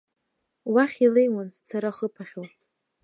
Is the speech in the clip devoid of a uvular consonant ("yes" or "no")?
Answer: no